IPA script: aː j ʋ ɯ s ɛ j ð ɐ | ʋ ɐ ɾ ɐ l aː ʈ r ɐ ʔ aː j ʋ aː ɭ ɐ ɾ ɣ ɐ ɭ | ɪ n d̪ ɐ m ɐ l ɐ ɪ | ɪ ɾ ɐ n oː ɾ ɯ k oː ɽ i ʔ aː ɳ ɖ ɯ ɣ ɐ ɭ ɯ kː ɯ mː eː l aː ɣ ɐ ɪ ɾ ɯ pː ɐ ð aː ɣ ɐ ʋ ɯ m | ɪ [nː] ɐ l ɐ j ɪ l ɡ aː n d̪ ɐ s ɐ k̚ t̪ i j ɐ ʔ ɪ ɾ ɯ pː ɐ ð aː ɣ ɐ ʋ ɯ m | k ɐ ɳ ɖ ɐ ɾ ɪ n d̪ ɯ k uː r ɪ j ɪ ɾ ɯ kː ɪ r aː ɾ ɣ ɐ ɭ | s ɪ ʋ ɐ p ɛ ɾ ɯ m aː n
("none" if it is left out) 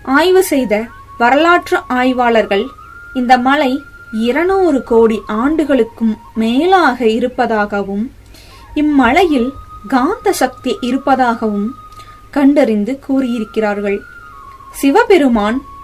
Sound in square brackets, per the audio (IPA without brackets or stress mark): mː